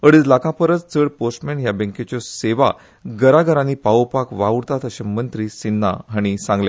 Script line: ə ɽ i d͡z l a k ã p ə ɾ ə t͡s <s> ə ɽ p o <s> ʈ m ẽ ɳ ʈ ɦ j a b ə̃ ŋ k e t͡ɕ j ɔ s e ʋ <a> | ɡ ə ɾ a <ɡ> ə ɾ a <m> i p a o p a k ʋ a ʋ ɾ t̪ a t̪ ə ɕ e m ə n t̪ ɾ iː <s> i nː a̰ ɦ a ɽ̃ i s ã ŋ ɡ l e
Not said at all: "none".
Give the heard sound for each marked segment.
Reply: t͡s, s, a, ɡ, n, s

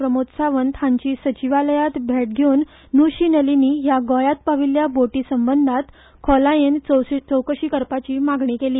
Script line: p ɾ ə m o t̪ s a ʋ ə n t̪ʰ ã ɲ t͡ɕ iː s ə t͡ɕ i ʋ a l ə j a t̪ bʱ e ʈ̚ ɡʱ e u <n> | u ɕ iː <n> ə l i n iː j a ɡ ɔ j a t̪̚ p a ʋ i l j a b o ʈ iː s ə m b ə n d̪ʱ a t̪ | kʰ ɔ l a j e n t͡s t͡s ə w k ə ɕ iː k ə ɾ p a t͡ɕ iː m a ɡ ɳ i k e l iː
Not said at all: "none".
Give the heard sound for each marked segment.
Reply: nː, n

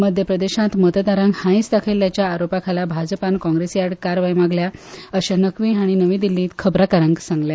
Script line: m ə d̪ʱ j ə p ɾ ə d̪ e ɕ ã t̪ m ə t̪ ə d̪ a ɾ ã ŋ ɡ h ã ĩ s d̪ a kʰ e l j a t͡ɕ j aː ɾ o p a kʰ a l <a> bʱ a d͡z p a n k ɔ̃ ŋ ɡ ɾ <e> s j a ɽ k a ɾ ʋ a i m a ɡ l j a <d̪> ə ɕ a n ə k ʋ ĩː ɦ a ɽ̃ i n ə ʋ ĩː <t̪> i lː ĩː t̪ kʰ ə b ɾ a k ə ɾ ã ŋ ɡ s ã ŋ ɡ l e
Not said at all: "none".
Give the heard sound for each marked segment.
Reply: a, e, none, d̪

